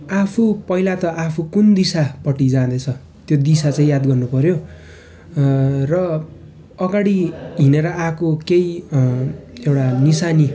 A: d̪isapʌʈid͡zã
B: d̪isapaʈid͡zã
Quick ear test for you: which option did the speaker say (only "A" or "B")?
A